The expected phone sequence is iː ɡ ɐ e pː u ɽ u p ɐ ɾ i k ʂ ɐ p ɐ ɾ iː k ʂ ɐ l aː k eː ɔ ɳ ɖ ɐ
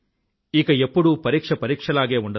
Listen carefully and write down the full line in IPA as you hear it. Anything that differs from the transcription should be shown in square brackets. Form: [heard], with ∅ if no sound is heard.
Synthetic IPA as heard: iː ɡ ɐ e pː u ɽ u p ɐ ɾ [iː] k ʂ ɐ p ɐ ɾ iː k ʂ ɐ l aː [ɡ] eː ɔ ɳ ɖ ɐ